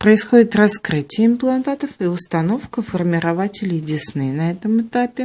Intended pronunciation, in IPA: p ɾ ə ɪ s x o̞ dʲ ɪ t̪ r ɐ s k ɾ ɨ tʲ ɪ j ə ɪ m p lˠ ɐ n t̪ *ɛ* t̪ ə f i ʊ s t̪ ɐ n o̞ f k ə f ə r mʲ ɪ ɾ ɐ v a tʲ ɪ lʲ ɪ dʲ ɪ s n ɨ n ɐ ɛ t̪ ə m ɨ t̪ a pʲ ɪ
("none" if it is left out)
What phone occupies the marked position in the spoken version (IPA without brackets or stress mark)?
a